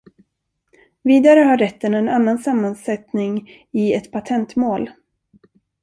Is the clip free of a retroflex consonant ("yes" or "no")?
yes